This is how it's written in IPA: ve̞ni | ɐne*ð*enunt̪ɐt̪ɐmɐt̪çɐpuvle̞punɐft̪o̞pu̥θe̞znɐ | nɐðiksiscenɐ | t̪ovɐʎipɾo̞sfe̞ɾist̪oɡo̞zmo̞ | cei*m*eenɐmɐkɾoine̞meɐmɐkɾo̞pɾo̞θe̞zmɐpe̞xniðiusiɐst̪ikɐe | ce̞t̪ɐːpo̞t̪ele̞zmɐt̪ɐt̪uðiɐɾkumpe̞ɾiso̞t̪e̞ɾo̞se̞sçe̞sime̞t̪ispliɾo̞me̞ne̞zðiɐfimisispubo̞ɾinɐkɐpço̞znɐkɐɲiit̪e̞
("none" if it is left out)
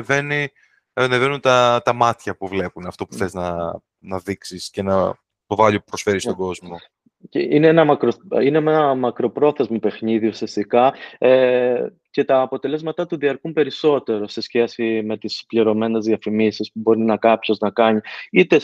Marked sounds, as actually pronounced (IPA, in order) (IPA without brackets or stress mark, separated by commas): v, n